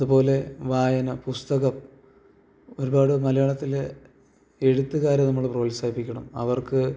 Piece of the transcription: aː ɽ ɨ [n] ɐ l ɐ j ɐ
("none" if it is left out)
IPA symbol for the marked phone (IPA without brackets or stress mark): m